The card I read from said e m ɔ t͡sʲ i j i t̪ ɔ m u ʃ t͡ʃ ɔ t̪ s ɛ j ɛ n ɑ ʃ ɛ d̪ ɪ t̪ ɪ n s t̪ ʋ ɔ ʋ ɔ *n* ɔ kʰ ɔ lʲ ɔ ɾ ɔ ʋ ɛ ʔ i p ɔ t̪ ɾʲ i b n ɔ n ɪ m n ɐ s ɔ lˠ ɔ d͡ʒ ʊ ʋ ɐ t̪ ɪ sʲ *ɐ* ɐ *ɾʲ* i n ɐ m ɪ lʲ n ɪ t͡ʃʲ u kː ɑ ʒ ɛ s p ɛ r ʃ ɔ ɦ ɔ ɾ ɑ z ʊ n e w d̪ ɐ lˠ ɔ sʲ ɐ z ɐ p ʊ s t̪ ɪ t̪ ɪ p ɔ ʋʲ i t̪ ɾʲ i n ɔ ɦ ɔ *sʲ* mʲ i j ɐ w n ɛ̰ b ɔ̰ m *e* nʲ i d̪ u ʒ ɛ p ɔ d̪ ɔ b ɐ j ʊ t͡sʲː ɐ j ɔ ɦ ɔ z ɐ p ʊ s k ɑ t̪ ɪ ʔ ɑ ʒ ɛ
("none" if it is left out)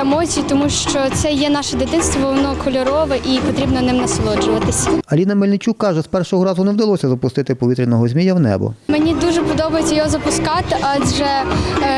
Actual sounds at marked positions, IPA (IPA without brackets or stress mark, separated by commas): n, ɐ, lʲ, zʲ, e